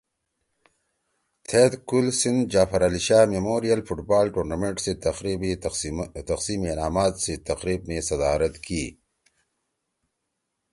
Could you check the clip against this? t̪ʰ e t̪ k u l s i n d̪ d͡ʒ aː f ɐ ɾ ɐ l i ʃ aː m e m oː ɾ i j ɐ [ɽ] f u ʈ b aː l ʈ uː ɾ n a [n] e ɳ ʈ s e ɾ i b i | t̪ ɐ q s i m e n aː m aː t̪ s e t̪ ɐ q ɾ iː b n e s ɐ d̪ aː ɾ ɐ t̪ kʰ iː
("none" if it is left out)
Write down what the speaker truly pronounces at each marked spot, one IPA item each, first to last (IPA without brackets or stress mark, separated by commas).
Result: l, m